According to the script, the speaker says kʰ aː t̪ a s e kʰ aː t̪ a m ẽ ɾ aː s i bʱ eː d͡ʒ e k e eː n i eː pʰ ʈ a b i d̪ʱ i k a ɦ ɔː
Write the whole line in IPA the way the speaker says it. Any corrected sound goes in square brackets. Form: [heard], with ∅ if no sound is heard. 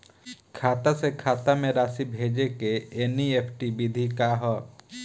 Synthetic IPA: kʰ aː t̪ a s e kʰ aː t̪ a m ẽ ɾ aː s i bʱ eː d͡ʒ e k e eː n i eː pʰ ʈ [i] b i d̪ʱ i k a ɦ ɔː